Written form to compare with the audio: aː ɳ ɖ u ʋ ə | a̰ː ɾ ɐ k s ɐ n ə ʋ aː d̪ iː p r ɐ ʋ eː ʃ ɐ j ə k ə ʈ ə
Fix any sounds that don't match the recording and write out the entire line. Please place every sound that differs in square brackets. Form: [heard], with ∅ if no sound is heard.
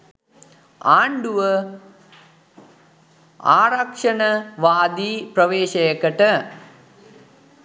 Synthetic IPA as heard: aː ɳ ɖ u ʋ ə | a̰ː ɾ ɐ k [ʂ] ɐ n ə ʋ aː d̪ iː p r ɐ ʋ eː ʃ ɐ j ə k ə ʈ ə

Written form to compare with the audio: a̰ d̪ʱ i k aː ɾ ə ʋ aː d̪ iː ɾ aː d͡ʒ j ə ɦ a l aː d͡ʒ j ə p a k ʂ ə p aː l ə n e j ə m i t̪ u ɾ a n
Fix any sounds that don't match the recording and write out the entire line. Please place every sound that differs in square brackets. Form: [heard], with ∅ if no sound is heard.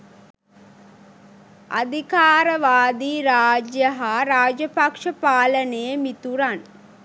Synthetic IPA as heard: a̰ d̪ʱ i k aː ɾ ə ʋ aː d̪ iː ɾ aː d͡ʒ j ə ɦ a [ɾ] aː d͡ʒ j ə p a k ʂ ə p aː l ə n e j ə m i t̪ u ɾ a n

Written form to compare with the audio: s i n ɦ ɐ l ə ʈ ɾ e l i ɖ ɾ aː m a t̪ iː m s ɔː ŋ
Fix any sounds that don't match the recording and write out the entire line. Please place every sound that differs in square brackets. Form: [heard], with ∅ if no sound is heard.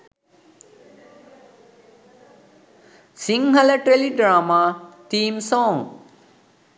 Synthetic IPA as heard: s i [ŋ] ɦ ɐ l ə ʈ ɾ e l i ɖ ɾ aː m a t̪ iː m s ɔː ŋ

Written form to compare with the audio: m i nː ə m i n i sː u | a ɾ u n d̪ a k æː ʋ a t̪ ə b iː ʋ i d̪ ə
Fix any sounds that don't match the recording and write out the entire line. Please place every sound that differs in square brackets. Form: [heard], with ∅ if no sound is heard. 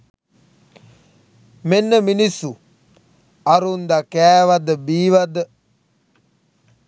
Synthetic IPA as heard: m [e] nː ə m i n i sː u | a ɾ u n d̪ a k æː ʋ a [d̪] ə b iː ʋ [a] d̪ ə

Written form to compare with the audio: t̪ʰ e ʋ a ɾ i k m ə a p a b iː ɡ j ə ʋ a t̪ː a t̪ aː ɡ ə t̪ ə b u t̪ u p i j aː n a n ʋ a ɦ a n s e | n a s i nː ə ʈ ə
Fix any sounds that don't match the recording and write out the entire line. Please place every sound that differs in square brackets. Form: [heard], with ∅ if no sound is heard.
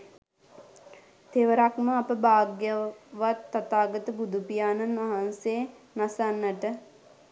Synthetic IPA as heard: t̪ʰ e ʋ [ə] ɾ [a] k m ə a p [ə] b [aː] ɡ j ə ʋ a t̪ː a t̪ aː ɡ ə t̪ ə b u [d̪] u p i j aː n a n ʋ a ɦ a n s e | n a s [a] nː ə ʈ ə

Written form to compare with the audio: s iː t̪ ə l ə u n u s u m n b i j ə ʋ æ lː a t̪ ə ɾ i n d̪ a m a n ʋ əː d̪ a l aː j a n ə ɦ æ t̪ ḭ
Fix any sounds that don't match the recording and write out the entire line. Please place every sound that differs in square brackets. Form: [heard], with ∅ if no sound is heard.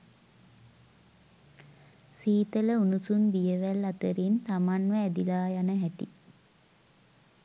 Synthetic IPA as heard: s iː t̪ ə l ə u n u s u [∅] n b i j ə ʋ æ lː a t̪ ə ɾ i n [t̪] a m a n ʋ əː d̪ [i] l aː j a n ə ɦ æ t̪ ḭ

